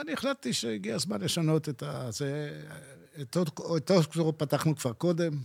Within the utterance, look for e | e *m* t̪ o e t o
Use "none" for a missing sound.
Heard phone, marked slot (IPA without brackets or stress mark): none